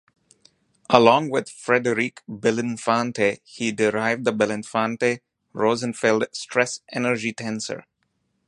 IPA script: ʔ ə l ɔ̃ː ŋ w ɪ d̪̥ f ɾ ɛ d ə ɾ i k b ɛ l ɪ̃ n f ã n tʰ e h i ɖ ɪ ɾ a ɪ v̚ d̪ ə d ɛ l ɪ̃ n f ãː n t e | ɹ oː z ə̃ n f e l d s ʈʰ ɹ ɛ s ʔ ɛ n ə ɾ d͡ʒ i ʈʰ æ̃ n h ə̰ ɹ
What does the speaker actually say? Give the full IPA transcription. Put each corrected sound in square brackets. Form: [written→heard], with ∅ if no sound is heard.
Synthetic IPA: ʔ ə l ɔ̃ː ŋ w ɪ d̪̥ f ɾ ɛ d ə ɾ i k b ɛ l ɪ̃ n f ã n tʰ e h i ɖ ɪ ɾ a ɪ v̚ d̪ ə [d→b] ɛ l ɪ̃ n f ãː n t e | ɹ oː z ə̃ n f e l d s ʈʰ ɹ ɛ s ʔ ɛ n ə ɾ d͡ʒ i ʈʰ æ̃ n [h→s] ə̰ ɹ